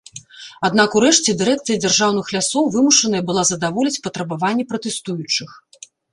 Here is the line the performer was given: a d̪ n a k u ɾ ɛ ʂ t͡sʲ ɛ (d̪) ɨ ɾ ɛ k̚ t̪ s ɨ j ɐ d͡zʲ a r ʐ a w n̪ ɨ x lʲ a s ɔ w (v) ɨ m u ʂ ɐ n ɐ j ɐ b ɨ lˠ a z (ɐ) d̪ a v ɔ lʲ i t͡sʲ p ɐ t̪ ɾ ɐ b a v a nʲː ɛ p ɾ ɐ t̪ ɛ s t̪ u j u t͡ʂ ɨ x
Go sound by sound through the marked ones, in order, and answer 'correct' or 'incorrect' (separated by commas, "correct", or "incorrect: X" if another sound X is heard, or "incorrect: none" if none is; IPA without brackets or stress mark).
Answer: correct, correct, correct